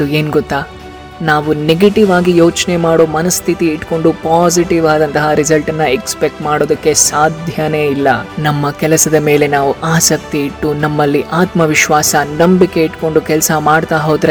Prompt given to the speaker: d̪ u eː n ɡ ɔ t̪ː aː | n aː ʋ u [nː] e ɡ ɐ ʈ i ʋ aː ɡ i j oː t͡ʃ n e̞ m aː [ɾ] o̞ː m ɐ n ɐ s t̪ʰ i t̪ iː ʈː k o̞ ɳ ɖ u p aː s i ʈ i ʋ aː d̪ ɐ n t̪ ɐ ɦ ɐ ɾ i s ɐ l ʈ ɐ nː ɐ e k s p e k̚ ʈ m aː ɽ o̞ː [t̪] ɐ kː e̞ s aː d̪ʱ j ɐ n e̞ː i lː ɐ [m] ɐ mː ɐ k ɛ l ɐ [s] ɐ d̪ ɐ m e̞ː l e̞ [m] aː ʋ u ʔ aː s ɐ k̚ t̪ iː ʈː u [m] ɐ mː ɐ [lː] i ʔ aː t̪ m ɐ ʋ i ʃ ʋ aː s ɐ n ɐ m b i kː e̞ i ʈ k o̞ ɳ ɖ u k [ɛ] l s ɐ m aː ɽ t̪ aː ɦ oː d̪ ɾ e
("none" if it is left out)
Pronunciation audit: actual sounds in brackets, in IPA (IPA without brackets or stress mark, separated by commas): n, ɽ, d̪, n, s, n, n, lː, ɛ